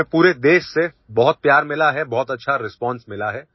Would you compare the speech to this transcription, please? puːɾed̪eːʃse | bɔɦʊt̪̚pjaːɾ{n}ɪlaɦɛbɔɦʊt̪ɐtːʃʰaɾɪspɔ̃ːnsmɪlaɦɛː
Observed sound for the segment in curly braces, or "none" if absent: m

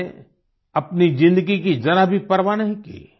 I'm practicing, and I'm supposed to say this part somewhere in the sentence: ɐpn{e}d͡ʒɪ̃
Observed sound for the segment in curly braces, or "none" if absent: i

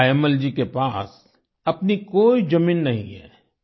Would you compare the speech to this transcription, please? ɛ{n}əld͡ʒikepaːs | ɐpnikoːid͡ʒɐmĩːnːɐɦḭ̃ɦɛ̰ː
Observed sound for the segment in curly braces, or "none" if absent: m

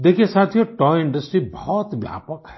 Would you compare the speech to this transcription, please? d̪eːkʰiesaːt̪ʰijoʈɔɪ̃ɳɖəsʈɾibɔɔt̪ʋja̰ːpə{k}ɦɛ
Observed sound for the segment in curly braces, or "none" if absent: k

